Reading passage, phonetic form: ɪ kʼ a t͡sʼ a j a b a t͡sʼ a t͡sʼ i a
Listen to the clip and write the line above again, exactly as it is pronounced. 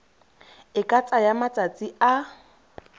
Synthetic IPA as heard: ɪ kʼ a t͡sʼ a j a m a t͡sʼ a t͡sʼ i a